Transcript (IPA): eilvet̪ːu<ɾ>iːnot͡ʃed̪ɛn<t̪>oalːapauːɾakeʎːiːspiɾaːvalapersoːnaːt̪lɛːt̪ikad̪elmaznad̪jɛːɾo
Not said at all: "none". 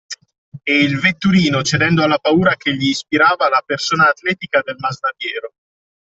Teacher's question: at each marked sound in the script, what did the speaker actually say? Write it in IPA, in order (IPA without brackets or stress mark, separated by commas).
ɾ, d̪